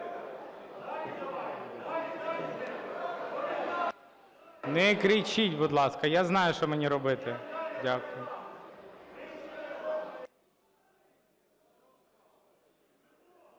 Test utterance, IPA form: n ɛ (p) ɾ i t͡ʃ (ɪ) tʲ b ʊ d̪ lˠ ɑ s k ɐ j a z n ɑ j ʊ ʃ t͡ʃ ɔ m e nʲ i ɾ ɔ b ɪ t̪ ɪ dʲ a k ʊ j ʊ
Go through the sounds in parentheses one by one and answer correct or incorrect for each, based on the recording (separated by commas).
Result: incorrect, incorrect